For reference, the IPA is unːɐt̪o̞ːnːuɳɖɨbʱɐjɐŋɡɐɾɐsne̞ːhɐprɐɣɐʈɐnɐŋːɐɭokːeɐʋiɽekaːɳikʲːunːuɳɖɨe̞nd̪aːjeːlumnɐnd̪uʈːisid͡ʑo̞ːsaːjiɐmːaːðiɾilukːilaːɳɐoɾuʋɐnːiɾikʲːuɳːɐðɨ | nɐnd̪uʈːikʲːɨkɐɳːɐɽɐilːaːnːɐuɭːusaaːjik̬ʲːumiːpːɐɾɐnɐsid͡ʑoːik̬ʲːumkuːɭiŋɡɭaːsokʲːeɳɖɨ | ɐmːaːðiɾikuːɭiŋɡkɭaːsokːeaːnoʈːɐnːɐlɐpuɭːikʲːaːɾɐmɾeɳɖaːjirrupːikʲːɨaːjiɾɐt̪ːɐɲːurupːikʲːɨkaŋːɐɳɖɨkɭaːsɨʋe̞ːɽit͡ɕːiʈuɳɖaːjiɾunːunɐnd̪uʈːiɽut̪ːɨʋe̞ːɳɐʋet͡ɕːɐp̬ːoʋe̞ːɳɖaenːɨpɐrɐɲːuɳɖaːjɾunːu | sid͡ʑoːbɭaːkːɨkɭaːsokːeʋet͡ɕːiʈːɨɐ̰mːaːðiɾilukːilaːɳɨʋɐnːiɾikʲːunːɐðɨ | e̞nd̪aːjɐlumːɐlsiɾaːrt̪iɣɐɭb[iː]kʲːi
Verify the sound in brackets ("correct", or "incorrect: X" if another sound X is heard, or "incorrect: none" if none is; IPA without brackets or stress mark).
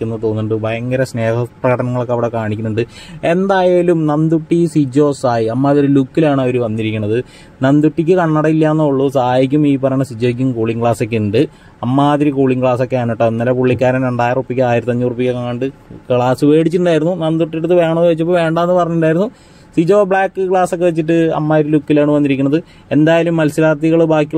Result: incorrect: aː